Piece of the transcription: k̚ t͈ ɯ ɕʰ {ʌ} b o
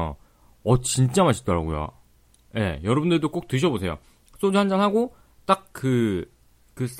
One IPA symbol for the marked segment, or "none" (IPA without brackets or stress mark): ʌ